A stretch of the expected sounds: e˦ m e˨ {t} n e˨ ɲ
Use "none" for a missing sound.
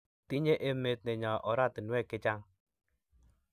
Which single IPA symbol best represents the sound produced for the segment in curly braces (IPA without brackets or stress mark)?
t